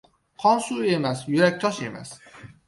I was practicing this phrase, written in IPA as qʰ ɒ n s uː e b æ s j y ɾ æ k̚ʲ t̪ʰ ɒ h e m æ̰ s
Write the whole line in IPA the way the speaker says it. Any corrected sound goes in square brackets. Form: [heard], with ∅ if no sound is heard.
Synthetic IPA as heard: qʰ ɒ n s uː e [m] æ s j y ɾ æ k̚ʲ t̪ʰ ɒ [ʃ] e m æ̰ s